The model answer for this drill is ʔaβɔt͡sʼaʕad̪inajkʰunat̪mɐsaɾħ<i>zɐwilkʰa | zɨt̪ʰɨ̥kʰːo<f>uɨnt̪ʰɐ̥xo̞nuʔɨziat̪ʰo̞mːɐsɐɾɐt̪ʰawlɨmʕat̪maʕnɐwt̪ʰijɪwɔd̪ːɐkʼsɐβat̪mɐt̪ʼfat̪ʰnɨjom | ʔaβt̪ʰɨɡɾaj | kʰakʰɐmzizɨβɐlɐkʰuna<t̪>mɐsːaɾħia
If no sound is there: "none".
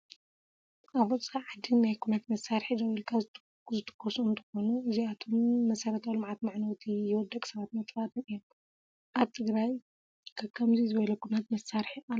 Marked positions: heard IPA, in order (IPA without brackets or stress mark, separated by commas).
i, s, t̪